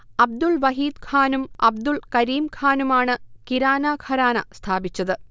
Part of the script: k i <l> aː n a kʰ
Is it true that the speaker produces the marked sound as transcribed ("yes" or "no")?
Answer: no